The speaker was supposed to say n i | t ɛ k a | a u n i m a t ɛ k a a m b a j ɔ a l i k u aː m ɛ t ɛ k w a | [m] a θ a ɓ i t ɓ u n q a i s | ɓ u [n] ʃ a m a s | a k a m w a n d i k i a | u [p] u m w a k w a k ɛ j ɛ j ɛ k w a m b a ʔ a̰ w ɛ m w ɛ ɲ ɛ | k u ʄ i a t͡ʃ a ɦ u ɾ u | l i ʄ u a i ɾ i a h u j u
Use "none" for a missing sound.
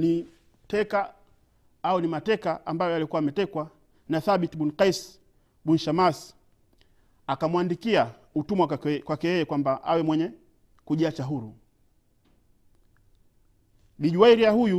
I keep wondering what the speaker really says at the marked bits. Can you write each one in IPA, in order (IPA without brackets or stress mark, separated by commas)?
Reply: n, n, t